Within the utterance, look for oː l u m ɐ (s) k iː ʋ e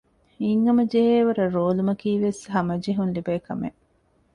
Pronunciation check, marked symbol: incorrect: none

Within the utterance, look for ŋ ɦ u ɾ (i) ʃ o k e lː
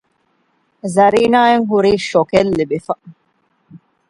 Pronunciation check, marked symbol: incorrect: iː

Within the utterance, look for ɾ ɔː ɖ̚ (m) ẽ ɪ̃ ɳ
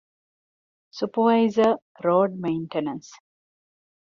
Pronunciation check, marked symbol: correct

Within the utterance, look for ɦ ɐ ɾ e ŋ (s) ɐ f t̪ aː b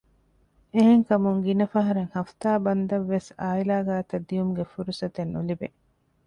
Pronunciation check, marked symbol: incorrect: h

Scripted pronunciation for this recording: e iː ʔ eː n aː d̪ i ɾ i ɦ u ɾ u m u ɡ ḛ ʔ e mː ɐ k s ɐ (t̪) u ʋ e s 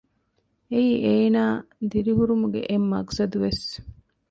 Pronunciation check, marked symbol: incorrect: d̪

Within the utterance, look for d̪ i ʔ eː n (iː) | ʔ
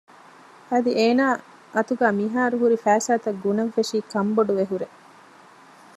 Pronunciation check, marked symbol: incorrect: aː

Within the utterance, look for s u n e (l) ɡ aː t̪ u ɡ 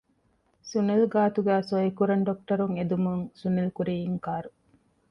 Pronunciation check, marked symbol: correct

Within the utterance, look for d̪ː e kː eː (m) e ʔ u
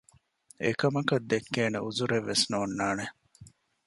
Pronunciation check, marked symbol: incorrect: n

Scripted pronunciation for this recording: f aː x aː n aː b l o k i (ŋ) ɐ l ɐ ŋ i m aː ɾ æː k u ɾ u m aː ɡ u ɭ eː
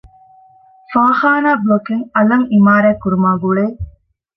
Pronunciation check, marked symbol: correct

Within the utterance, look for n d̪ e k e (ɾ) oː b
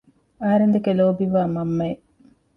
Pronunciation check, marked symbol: incorrect: l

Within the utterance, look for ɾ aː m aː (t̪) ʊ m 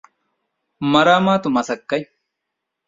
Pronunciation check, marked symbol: correct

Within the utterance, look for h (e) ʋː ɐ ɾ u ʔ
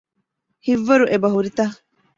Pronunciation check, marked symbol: incorrect: i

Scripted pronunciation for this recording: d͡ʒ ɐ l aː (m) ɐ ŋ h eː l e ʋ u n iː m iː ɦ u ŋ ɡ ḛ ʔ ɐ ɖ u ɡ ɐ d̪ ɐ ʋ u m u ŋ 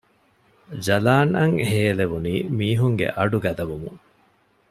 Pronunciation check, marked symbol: incorrect: n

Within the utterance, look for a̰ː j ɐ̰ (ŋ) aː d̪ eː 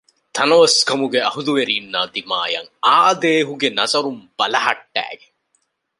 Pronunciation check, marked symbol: correct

